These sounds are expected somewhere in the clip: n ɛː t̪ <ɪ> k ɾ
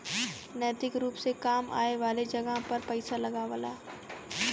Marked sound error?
no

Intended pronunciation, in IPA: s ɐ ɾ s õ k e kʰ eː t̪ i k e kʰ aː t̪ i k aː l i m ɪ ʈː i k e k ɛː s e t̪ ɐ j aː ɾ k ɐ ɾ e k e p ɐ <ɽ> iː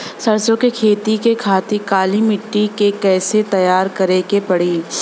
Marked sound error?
no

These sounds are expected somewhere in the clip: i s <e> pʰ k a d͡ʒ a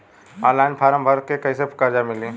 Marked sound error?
no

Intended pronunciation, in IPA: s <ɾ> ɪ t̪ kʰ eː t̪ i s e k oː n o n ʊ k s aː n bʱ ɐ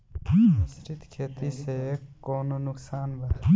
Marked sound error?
no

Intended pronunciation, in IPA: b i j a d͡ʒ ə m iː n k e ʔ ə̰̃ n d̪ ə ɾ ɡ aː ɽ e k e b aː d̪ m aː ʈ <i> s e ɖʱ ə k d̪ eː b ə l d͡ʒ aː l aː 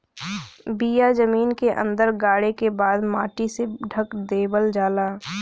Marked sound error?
no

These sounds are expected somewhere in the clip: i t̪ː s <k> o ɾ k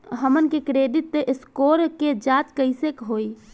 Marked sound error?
no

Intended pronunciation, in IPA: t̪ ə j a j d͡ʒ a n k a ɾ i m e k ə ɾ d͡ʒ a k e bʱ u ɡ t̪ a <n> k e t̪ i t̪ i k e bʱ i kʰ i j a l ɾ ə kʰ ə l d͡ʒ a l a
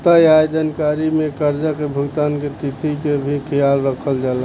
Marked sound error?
no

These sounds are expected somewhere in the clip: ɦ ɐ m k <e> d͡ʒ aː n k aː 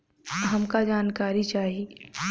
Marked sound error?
yes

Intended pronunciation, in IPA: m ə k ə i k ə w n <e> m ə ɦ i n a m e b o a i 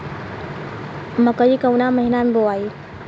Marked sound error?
yes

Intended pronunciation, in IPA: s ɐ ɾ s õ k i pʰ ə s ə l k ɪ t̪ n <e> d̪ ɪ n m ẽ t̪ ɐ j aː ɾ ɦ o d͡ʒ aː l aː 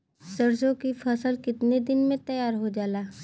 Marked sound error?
no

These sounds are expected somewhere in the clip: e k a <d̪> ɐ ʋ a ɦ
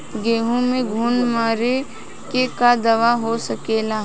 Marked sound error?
no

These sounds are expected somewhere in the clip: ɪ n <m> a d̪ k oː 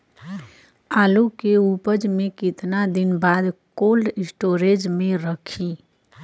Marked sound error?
yes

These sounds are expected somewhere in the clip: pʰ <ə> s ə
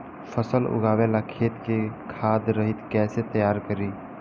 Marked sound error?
no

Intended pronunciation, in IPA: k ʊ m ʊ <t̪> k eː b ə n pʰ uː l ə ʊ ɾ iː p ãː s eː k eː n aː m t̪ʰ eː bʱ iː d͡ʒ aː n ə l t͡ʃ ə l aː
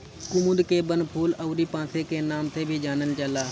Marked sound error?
yes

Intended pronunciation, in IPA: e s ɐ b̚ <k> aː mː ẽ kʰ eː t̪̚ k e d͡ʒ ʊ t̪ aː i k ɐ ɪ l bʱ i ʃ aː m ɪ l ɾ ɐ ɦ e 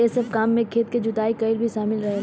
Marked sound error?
no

